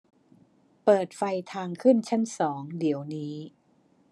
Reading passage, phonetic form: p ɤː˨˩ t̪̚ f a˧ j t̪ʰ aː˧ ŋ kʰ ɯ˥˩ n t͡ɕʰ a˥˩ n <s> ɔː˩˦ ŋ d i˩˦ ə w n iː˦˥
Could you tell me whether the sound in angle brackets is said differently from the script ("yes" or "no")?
no